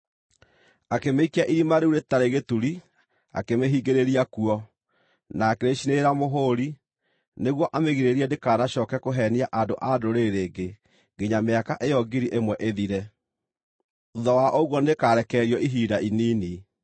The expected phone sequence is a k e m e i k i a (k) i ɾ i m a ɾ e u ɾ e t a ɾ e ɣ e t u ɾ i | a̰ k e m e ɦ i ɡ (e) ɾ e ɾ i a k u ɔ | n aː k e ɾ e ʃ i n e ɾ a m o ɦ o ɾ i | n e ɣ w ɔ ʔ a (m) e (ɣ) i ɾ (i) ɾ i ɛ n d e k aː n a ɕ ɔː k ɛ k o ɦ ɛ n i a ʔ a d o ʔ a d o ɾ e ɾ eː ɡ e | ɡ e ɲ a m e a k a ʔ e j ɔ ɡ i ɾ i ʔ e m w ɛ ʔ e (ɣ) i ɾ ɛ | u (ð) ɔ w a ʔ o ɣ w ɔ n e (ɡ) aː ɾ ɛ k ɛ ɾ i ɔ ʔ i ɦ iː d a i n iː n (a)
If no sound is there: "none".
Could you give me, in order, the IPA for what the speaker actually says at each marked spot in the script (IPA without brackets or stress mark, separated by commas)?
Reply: ʔ, e, m, ɣ, e, ð, ð, k, i